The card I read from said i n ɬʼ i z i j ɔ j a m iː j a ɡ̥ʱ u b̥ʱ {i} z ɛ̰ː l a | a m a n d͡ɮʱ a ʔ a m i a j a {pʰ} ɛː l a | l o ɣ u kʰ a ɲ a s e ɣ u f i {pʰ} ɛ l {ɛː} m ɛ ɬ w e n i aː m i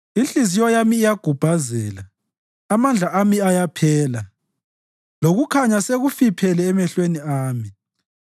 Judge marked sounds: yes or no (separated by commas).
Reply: no, yes, yes, yes